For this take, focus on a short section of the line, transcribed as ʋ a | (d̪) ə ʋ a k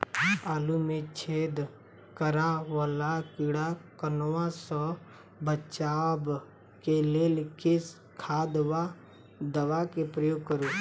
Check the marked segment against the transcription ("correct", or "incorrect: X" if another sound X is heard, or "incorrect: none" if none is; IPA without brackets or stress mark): correct